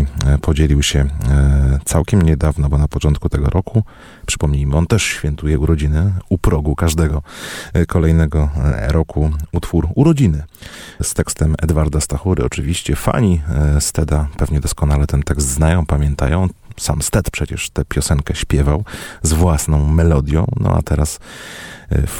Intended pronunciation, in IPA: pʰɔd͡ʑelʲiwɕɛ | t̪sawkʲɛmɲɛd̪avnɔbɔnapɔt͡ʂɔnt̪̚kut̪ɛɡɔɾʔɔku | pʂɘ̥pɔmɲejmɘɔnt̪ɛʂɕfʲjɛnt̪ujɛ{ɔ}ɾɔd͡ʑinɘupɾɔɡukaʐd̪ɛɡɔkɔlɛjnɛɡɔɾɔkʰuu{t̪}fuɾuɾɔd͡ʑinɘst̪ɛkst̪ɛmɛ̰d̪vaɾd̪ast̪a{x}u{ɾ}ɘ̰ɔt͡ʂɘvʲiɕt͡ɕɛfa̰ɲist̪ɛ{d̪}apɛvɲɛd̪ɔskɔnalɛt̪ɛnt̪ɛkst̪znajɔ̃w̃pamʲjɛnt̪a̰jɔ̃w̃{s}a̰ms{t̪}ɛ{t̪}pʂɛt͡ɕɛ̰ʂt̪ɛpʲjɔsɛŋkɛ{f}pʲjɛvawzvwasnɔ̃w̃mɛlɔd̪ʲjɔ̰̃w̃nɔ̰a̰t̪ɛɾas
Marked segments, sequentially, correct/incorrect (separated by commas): incorrect, correct, correct, correct, correct, correct, correct, correct, incorrect